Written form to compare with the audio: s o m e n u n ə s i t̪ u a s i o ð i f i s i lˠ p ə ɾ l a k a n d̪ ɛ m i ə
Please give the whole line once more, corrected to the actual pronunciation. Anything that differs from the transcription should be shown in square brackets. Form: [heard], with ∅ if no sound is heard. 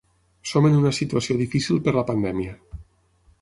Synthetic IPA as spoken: s o m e n u n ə s i t̪ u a s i o ð i f i s i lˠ p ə ɾ l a [p] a n d̪ ɛ m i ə